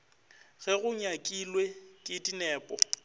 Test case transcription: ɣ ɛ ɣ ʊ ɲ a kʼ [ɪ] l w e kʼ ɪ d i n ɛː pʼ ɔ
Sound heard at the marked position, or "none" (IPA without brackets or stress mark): i